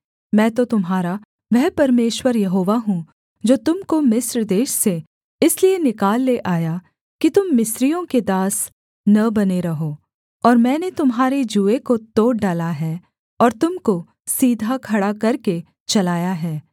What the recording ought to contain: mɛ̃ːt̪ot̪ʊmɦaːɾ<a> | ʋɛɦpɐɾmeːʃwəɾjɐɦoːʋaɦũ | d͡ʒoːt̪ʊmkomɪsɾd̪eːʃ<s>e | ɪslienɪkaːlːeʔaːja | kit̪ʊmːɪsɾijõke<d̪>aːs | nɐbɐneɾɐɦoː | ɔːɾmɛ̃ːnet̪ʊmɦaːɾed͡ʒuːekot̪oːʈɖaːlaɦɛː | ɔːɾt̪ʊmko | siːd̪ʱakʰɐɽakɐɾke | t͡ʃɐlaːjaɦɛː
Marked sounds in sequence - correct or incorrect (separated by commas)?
correct, correct, correct